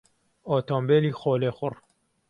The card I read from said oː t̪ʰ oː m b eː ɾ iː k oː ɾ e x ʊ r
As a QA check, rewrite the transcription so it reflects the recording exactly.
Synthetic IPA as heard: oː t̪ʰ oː m b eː l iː x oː l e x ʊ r

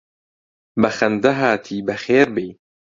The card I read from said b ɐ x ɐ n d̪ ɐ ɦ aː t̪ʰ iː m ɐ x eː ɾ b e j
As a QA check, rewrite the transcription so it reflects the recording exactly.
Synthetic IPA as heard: b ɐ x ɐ n d̪ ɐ ɦ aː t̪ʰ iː b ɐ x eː ɾ b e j

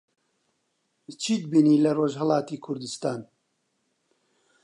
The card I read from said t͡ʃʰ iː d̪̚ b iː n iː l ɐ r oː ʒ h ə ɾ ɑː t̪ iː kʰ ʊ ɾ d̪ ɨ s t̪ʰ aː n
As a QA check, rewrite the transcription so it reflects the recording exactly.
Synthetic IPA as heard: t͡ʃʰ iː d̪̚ b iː n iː l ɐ r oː ʒ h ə l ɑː t̪ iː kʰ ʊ ɾ d̪ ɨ s t̪ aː n

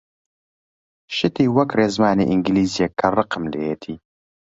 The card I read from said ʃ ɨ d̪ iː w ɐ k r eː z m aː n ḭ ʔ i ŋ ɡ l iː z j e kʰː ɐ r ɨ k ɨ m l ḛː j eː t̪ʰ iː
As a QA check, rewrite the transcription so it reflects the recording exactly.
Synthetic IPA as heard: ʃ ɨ t̪ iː w ɐ k r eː z m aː n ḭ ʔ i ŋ ɡ l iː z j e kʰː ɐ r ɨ q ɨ m l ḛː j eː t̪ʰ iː

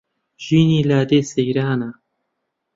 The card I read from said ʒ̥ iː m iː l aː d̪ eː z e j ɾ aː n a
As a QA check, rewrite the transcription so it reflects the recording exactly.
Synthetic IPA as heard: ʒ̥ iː n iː l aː d̪ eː s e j ɾ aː n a

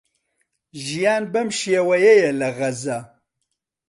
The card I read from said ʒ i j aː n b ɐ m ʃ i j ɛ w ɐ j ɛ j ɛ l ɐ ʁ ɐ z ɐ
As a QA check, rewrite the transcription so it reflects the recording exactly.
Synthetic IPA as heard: ʒ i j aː n b ɐ m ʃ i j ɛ w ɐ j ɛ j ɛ l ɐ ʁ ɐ z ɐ

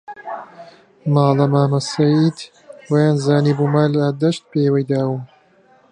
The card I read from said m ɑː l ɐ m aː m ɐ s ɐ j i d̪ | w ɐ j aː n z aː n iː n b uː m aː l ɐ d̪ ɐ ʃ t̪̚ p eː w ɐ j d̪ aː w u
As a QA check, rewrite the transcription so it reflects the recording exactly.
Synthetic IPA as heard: m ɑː l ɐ m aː m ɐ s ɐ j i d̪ | w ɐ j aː n z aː n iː b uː m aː l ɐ d̪ ɐ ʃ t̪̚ p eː w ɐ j d̪ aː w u

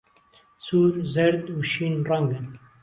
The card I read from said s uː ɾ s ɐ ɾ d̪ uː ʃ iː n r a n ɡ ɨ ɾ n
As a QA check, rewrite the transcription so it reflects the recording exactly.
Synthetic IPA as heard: s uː ɾ z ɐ ɾ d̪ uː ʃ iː n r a ŋ ɡ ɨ n

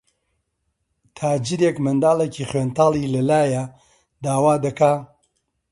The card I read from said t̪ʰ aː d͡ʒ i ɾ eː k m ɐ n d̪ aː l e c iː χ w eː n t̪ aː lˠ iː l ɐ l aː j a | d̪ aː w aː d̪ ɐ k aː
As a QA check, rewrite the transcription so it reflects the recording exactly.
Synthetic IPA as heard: t̪ʰ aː d͡ʒ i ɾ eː k m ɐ n d̪ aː l e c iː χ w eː n t̪ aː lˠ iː l ɐ l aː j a | d̪ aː w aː d̪ ɐ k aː

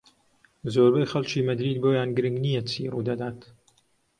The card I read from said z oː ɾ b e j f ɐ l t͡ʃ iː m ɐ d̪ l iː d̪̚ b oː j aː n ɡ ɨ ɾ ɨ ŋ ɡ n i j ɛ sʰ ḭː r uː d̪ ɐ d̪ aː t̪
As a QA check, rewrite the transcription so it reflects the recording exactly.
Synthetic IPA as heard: z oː ɾ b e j x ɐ l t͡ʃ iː m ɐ d̪ ɾ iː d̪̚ b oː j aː n ɡ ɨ ɾ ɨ ŋ ɡ n i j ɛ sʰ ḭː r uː d̪ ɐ d̪ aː t̪

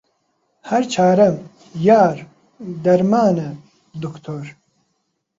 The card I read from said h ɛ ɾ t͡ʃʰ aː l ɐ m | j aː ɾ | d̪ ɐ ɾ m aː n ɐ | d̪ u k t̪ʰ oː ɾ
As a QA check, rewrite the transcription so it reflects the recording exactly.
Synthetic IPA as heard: h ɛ ɾ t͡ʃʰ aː ɾ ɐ m | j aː ɾ | d̪ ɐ ɾ m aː n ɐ | d̪ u k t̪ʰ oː ɾ

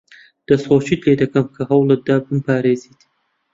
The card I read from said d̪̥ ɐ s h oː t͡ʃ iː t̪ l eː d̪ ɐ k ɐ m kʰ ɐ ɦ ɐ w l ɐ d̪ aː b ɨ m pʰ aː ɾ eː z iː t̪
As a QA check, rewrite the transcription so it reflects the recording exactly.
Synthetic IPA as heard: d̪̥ ɐ s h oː t͡ʃ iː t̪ l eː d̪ ɐ k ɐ m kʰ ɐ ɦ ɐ w l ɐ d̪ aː b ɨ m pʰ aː ɾ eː z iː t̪

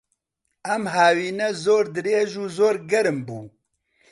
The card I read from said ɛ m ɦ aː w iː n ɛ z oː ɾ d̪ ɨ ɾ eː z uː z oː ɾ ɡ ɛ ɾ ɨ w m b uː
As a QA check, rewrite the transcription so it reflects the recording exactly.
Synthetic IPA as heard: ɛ m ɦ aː w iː n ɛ z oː ɾ d̪ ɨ ɾ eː ʒ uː z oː ɾ ɡ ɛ ɾ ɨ m b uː

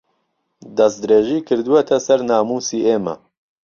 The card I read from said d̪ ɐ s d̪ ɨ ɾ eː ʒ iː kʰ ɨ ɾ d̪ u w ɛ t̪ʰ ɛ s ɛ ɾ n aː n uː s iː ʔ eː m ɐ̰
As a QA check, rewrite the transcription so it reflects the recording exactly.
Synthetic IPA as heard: d̪ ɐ s d̪ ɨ ɾ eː ʒ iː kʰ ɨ ɾ d̪ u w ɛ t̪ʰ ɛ s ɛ ɾ n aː m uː s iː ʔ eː m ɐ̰

